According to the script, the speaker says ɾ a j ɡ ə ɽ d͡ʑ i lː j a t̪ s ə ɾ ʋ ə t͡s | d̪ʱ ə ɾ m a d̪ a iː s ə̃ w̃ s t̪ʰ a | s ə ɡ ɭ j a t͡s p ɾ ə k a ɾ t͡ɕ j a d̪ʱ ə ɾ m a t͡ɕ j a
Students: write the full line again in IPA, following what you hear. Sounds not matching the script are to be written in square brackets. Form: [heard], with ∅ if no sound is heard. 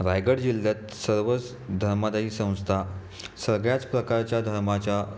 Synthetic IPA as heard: ɾ a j ɡ ə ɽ d͡ʑ i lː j a t̪ s ə ɾ ʋ ə t͡s | d̪ʱ ə ɾ m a d̪ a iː s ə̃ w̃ s t̪ʰ a | s ə ɡ ɭ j a t͡s p ɾ ə k a ɾ t͡ɕ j a d̪ʱ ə ɾ m a t͡ɕ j a

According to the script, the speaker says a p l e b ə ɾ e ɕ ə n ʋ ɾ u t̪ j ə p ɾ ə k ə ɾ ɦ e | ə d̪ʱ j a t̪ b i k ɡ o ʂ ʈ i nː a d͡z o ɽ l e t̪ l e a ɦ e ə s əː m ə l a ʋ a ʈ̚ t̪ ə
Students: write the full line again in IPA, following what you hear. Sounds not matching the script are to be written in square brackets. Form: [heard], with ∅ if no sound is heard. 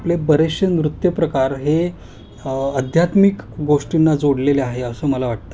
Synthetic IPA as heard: a p l e b ə ɾ e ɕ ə n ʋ ɾ u t̪ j ə p ɾ ə k [a] ɾ ɦ e | ə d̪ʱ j a t̪ [m] i k ɡ o ʂ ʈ i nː a d͡z o ɽ l e [∅] l e a ɦ e ə s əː m ə l a ʋ a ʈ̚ t̪ ə

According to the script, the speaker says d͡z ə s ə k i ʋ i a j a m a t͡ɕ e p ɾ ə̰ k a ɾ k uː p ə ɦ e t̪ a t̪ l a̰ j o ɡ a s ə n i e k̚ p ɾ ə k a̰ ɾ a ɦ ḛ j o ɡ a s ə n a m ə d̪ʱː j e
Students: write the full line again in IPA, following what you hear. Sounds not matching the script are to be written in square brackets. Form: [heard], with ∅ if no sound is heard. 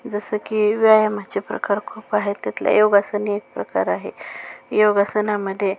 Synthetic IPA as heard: d͡z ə s ə k i ʋ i a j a m a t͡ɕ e p ɾ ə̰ k a ɾ [kʰ] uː p [a] ɦ e t̪ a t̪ l a̰ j o ɡ a s ə n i e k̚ p ɾ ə k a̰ ɾ a ɦ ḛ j o ɡ a s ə n a m ə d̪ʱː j e

